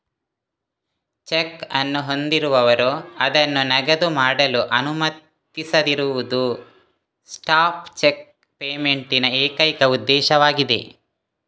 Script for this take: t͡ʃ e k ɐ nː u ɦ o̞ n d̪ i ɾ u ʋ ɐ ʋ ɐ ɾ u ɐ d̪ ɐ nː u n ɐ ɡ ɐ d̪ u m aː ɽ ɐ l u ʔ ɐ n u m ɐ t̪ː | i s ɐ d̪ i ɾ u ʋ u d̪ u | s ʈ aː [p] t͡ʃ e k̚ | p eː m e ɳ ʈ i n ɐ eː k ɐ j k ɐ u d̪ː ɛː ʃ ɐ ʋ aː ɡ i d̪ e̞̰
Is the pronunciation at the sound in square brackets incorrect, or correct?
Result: correct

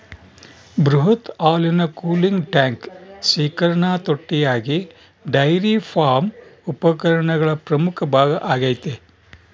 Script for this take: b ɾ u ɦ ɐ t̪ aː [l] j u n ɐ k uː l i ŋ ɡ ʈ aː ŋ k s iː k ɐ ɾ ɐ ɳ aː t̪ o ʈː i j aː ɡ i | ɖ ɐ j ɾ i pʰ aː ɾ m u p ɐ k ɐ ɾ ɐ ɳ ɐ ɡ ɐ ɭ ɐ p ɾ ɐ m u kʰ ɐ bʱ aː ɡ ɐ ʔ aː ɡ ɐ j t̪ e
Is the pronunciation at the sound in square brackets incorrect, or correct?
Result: correct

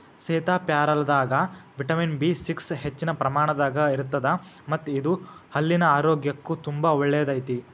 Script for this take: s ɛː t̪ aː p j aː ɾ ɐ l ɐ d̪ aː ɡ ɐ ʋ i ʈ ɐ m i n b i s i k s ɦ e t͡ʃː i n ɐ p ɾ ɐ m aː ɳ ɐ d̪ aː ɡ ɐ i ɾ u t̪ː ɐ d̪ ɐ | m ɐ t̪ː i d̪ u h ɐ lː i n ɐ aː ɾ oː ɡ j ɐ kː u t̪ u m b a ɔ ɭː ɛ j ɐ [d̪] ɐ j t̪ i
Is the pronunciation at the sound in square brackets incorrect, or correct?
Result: correct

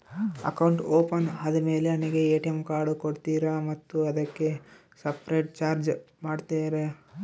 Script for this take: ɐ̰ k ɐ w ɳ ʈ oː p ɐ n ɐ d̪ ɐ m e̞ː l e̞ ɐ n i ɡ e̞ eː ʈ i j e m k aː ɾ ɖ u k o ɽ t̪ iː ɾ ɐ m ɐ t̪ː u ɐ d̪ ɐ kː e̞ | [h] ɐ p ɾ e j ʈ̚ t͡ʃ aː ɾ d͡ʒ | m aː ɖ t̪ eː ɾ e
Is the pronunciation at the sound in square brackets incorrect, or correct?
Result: incorrect: s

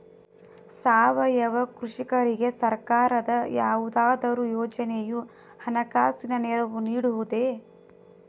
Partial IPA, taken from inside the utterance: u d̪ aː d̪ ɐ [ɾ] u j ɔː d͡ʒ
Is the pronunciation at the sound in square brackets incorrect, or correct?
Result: correct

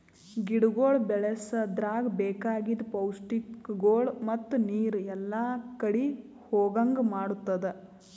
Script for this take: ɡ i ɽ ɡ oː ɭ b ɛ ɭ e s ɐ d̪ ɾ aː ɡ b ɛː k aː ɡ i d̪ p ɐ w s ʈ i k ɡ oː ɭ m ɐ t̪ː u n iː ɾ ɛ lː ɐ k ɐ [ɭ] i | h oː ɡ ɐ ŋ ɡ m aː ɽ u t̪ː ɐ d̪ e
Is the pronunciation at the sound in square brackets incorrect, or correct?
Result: incorrect: ɽ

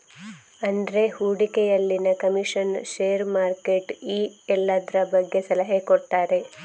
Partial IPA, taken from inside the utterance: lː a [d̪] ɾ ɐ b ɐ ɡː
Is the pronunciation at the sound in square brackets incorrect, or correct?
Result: correct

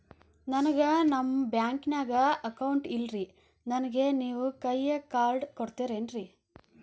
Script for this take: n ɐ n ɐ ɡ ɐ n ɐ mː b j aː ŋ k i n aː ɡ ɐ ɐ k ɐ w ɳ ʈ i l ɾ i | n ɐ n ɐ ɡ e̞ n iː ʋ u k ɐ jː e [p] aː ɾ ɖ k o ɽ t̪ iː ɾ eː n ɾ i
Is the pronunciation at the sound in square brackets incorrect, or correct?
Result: incorrect: k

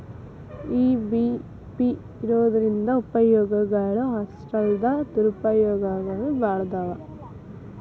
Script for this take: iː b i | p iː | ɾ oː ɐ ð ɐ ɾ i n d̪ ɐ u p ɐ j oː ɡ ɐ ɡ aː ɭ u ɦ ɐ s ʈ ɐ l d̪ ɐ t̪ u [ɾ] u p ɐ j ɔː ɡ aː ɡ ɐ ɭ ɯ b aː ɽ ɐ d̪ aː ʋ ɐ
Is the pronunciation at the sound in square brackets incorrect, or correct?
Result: correct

